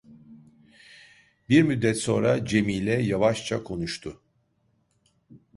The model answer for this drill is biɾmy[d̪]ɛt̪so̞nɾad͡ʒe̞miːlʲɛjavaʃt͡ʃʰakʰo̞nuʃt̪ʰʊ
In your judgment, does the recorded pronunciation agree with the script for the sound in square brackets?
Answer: no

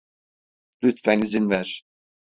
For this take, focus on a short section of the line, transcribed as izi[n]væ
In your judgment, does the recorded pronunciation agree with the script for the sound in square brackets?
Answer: yes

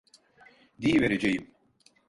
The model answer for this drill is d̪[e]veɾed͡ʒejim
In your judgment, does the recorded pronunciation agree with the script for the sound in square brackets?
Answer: no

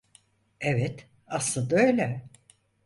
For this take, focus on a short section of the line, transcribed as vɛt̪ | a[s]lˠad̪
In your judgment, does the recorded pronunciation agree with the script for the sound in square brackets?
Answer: yes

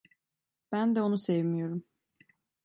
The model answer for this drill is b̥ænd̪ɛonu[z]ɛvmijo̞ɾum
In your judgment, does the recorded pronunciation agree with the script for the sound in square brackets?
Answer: no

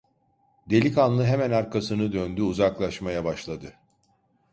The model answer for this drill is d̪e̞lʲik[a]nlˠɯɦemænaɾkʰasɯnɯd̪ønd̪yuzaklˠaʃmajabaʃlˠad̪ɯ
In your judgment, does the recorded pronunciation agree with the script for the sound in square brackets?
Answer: yes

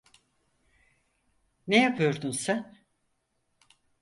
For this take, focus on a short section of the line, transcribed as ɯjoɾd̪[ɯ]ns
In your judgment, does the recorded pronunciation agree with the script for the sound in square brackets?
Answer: no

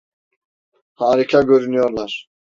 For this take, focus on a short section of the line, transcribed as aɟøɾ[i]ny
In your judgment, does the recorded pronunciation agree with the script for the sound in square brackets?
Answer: no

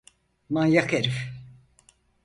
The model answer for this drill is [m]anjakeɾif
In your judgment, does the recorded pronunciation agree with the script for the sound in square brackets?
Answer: yes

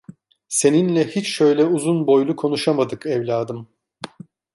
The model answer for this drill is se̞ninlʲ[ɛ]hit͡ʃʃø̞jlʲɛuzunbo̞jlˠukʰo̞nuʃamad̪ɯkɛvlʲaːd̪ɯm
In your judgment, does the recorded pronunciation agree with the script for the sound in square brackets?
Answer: yes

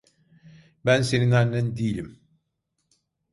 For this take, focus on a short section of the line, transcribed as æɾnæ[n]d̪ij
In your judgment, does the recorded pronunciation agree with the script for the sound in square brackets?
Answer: yes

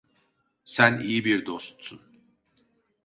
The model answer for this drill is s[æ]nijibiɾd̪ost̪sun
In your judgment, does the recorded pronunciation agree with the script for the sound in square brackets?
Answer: yes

